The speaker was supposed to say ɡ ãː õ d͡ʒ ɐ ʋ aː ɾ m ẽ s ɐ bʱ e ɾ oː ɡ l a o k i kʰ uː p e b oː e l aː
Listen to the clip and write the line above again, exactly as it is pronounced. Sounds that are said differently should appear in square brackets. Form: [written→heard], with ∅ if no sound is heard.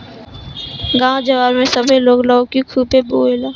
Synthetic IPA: ɡ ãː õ d͡ʒ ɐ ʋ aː ɾ m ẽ s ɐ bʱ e [ɾ→l] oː ɡ l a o k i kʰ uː p e b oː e l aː